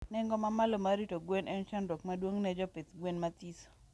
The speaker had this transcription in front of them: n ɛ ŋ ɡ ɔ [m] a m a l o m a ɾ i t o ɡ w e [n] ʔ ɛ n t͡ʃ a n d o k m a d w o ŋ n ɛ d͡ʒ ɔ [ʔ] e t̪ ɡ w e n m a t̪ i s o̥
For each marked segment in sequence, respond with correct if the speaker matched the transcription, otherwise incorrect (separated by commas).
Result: correct, correct, incorrect